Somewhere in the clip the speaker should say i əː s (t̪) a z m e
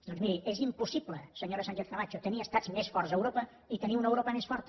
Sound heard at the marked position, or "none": t̪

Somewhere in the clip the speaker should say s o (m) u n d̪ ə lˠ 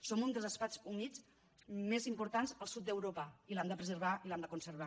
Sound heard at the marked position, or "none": m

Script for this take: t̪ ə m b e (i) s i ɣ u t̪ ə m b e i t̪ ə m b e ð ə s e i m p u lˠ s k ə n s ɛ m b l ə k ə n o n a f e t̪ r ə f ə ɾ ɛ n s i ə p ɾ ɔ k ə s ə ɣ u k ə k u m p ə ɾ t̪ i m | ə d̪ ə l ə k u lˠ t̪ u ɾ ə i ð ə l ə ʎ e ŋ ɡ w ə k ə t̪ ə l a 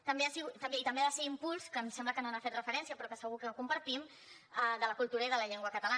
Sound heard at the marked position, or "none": a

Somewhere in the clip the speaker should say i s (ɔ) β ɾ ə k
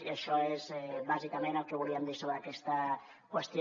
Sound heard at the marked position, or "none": o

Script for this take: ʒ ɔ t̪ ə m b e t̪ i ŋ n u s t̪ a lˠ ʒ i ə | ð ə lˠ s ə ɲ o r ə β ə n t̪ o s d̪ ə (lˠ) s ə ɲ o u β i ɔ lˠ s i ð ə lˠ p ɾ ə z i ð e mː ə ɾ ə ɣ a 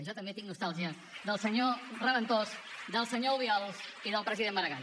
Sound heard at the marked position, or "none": lˠ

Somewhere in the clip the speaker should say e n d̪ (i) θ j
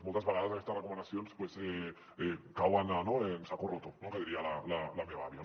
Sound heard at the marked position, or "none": a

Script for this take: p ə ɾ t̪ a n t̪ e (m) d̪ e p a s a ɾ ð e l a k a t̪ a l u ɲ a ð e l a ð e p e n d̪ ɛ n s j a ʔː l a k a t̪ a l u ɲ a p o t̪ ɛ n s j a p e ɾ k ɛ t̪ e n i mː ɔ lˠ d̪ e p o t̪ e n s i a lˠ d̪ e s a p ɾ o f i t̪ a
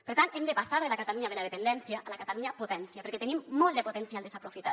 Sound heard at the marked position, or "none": m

